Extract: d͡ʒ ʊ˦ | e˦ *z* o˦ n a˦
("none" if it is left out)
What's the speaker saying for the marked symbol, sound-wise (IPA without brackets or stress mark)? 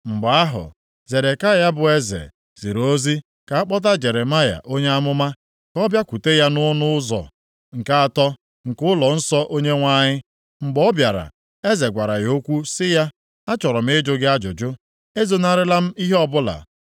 z